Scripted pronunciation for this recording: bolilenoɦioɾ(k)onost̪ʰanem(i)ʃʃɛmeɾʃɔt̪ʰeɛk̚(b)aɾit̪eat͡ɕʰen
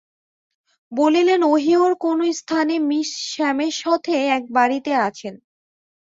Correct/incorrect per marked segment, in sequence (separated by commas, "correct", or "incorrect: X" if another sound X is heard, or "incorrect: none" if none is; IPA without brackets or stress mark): correct, correct, correct